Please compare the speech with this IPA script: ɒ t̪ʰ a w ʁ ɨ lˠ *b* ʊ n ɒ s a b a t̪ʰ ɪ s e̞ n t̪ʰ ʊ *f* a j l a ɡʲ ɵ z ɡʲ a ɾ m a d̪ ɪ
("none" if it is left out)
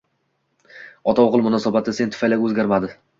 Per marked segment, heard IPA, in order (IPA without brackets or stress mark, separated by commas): m, f